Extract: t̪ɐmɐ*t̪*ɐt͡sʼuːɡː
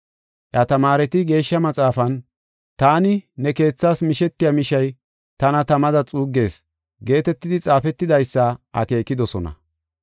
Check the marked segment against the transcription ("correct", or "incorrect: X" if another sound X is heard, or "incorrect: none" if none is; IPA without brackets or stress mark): incorrect: d̪